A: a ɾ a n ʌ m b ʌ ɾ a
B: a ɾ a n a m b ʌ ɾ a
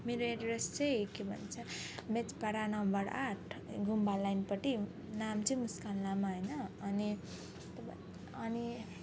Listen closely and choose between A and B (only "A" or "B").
A